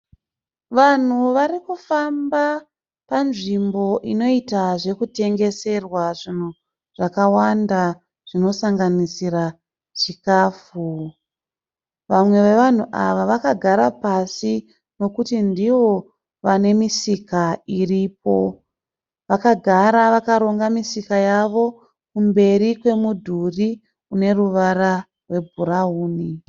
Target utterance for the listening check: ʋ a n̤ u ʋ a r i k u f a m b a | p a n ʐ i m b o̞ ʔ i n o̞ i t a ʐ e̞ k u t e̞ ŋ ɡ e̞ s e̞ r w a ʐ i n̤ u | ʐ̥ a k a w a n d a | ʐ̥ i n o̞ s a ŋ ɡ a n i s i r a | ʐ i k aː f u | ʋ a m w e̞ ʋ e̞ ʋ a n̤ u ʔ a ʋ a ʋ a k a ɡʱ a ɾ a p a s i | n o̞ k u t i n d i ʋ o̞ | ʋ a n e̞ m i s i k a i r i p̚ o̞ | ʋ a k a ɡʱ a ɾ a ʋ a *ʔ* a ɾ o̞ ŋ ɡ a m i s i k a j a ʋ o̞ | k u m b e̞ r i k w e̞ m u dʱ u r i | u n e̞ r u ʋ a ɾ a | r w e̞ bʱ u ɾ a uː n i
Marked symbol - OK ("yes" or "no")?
no